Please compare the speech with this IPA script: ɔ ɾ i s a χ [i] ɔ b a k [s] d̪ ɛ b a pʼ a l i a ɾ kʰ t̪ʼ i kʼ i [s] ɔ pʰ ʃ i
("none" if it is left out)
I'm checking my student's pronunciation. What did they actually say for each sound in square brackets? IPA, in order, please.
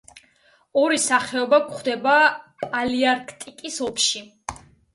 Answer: ɛ, χ, s

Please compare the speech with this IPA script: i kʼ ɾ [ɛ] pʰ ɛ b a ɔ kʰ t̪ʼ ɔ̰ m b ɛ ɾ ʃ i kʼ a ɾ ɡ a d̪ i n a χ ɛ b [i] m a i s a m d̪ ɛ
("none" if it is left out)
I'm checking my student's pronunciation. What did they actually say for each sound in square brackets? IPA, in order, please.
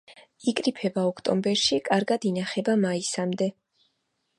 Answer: i, a

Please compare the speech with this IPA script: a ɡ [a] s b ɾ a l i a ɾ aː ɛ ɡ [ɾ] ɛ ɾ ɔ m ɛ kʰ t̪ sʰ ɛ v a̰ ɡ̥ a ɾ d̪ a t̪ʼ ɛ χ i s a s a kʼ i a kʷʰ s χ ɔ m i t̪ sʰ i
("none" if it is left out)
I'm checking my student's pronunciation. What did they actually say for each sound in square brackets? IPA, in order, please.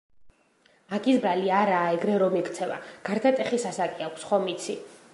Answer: i, ɾ

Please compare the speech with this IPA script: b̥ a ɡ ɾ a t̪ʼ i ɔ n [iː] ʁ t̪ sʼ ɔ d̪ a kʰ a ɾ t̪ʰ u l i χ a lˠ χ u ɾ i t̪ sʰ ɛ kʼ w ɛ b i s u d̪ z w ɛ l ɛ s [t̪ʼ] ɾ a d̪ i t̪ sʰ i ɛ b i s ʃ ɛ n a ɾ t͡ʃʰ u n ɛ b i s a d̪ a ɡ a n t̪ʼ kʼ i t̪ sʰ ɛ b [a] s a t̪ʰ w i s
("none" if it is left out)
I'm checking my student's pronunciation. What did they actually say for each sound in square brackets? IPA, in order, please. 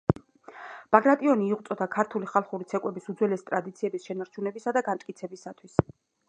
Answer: iː, t̪ʼ, i

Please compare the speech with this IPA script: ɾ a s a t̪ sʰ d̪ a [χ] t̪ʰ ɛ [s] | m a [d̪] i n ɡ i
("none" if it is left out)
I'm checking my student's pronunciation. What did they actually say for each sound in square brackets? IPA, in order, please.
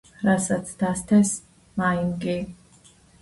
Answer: s, s, none

